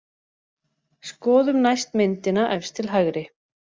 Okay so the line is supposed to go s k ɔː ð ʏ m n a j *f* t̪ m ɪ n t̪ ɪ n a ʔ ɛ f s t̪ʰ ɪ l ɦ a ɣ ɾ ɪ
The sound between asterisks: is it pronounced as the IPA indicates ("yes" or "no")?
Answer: no